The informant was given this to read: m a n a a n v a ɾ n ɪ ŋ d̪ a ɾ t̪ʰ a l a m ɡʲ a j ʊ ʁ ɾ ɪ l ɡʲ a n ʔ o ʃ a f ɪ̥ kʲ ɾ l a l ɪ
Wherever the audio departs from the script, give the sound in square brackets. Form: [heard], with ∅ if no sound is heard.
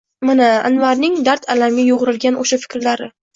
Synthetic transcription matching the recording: m a n a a n v a ɾ n ɪ ŋ d̪ a ɾ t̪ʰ a l a m ɡʲ a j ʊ ʁ ɾ ɪ l ɡʲ a n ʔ o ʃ a f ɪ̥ kʲ ɾ l a [ɾ] ɪ